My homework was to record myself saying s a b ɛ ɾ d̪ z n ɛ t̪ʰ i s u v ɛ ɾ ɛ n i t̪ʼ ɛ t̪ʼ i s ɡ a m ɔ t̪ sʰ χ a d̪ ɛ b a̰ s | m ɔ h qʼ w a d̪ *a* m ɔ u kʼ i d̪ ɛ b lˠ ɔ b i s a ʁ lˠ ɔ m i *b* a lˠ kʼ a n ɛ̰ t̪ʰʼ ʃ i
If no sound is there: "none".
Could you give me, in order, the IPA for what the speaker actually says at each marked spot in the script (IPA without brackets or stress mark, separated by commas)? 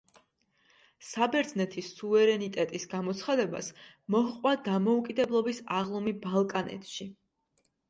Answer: a, b